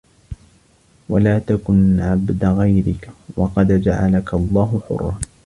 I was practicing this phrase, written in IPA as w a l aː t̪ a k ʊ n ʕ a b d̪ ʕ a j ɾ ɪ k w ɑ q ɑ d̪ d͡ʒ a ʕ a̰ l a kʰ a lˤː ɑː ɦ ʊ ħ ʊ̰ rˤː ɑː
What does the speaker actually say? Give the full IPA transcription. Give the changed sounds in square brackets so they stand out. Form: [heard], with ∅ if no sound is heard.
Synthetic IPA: w a l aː t̪ a k ʊ n ʕ a b d̪ [ɣ] a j ɾ ɪ k w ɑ q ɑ d̪ d͡ʒ a ʕ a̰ l a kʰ a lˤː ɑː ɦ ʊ ħ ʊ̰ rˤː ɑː